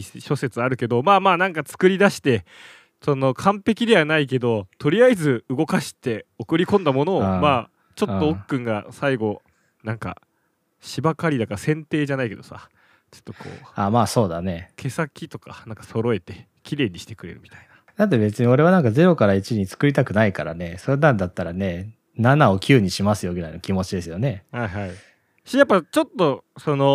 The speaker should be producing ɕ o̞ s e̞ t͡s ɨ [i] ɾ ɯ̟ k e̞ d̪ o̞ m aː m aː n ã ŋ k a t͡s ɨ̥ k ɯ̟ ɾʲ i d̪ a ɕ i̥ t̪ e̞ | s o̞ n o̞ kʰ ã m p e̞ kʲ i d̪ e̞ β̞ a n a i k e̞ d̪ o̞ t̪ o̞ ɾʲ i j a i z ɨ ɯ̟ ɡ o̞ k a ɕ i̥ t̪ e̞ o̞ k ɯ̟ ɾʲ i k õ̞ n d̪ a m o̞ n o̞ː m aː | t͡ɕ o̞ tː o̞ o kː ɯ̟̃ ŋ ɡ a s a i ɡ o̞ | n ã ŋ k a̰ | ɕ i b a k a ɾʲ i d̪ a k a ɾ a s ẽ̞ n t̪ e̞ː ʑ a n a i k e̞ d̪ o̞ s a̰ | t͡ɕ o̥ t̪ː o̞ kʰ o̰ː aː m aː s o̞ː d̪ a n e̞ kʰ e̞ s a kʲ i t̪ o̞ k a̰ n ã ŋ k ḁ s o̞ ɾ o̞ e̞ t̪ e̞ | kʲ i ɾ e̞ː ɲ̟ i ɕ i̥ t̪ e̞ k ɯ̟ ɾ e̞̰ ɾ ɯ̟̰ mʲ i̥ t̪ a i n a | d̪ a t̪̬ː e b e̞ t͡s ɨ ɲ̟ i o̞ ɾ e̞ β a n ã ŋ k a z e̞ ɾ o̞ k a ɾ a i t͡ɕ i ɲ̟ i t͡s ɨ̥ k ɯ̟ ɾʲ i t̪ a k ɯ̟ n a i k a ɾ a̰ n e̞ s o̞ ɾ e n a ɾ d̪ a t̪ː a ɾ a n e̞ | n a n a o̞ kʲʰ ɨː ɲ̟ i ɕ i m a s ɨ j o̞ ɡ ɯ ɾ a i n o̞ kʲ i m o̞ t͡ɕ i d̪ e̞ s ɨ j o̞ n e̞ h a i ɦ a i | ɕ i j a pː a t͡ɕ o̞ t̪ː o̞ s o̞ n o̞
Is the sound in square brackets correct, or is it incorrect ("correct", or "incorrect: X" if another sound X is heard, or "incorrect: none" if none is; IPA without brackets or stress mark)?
incorrect: a